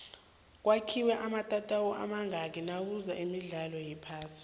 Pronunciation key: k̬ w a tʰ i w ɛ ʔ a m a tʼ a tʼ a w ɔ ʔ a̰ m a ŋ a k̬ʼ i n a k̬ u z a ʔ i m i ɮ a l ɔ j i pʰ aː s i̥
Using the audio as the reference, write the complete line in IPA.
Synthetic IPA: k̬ w a kʰ i w ɛ ʔ a m a tʼ a tʼ a w ɔ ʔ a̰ m a ŋ a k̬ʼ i n a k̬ u z a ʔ i m i ɮ a l ɔ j i pʰ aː s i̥